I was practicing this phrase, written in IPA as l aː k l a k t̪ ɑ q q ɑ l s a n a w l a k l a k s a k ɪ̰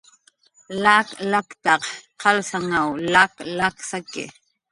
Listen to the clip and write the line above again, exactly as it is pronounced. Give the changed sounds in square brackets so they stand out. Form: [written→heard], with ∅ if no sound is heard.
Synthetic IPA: l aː k l a k t̪ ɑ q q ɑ l s a [n→ŋ] a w l a k l a k s a k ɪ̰